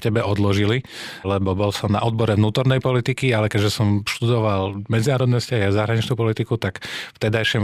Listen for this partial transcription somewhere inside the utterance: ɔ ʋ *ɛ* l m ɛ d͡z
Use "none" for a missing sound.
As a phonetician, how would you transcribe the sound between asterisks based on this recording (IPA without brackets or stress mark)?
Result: a